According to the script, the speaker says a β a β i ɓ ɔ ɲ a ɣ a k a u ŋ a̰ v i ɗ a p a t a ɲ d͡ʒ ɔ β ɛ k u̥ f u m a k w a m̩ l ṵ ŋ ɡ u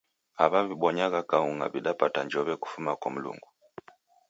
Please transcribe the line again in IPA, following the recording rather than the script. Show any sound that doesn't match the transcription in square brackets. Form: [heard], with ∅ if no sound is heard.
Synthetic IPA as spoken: a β a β i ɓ ɔ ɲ a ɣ a k a u ŋ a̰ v i ɗ a p a t a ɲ d͡ʒ ɔ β ɛ k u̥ f u m a k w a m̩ l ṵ ŋ ɡ u